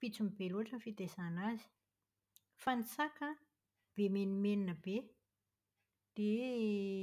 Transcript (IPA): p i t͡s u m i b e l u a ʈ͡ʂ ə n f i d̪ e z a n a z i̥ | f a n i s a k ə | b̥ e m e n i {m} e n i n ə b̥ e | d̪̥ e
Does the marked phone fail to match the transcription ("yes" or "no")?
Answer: no